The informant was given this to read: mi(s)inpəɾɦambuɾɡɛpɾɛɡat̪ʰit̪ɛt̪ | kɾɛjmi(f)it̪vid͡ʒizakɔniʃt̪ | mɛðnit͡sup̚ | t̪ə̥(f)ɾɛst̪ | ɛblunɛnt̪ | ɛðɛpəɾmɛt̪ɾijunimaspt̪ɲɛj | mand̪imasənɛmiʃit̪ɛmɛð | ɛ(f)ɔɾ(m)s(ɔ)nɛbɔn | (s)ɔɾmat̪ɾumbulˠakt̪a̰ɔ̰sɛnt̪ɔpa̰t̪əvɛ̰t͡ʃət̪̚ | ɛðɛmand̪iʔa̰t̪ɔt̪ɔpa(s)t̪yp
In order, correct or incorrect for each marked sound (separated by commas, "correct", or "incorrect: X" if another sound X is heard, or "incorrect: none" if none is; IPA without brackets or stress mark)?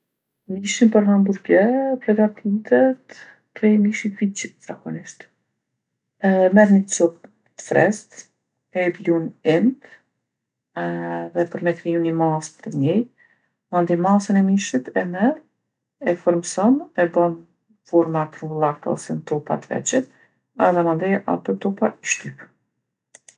incorrect: ʃ, incorrect: ʃ, correct, correct, correct, correct, incorrect: f, incorrect: ʃ